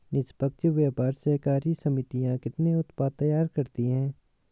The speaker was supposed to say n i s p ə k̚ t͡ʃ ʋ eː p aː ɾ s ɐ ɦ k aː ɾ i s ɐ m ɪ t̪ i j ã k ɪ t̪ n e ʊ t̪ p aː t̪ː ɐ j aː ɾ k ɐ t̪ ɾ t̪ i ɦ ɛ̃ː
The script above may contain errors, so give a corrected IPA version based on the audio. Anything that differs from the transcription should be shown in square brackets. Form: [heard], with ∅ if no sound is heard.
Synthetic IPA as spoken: n [ɪ] s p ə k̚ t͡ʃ ʋ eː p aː ɾ s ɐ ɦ k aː ɾ i s ɐ m ɪ t̪ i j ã k ɪ t̪ n e ʊ t̪ p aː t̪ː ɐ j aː ɾ k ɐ [∅] ɾ t̪ i ɦ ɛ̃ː